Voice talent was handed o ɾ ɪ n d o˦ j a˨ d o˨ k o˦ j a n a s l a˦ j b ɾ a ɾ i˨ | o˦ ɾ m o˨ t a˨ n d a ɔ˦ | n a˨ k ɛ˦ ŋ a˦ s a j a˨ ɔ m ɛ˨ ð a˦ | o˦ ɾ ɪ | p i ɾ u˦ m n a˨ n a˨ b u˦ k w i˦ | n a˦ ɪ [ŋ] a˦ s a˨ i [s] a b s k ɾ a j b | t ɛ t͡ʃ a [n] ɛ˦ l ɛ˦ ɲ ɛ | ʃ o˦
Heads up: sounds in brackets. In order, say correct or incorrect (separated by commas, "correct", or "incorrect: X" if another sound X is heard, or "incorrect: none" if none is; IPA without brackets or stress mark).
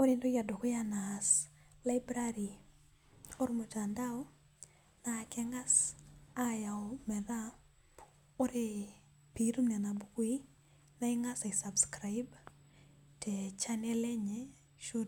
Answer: correct, correct, correct